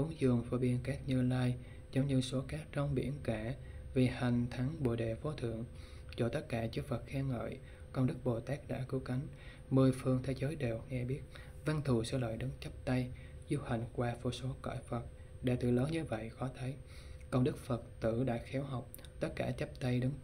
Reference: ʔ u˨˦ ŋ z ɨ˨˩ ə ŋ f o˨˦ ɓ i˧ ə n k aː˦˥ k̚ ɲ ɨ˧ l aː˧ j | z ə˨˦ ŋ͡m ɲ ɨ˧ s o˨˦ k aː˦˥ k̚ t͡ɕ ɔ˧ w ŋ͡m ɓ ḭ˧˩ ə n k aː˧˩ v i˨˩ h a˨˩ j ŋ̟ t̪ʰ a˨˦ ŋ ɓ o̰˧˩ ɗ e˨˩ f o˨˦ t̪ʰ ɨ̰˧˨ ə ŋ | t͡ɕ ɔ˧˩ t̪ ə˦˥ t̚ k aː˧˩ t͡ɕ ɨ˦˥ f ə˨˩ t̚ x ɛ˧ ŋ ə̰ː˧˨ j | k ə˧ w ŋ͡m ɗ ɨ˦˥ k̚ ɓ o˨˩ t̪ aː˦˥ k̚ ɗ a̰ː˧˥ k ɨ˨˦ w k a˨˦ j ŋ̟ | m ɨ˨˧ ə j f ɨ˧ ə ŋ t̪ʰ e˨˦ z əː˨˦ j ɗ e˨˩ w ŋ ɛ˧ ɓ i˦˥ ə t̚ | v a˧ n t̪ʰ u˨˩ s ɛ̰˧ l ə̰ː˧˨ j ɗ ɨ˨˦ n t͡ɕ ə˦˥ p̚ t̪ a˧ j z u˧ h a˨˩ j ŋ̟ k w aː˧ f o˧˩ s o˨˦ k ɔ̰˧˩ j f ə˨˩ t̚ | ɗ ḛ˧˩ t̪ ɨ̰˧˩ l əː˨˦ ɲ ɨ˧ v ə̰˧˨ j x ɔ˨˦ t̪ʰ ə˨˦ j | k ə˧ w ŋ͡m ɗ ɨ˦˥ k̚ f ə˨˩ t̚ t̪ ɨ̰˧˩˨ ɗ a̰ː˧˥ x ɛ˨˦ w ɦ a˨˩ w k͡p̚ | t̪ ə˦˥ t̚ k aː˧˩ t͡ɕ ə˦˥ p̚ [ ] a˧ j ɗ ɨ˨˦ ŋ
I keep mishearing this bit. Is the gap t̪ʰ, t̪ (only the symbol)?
t̪